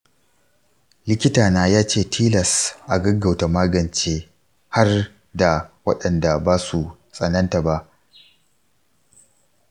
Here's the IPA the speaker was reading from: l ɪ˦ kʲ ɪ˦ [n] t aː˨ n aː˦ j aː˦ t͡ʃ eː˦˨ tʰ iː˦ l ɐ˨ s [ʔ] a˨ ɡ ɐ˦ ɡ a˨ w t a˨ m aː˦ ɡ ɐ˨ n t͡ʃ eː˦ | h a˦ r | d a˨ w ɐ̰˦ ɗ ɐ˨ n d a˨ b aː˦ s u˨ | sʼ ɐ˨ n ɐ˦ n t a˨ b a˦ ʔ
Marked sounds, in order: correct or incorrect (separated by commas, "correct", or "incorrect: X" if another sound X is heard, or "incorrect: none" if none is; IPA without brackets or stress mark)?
incorrect: none, correct